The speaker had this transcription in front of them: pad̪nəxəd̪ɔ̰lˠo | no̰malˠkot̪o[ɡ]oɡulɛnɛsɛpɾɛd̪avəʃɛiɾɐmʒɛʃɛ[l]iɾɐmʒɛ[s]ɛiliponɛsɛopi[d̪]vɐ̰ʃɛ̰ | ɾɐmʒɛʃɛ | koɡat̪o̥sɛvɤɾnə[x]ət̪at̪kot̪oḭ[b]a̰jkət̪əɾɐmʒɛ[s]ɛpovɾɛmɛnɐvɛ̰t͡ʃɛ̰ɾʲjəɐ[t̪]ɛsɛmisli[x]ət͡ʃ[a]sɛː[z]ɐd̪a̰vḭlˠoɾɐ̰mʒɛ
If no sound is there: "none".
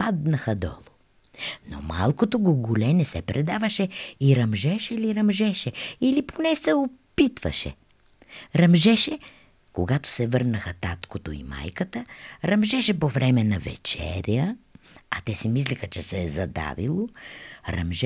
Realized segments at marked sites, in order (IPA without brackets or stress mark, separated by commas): ɡ, l, ʃ, t̪, x, m, ʃ, t̪, x, ɛ, z